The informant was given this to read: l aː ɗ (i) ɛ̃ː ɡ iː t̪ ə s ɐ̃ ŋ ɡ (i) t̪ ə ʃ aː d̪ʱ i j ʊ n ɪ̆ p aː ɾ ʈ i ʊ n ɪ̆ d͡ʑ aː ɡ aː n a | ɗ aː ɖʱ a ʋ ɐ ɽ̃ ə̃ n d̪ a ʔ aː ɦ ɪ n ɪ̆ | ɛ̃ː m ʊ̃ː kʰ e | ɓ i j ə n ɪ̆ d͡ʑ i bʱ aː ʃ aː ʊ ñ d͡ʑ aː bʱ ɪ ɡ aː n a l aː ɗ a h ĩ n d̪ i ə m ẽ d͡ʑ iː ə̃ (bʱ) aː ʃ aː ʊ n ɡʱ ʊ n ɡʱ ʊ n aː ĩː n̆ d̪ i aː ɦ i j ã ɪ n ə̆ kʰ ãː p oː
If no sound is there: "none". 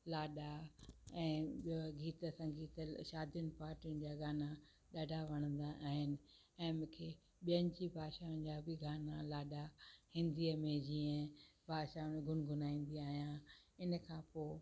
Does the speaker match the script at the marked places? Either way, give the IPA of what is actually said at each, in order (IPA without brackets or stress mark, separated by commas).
a, iː, bʱ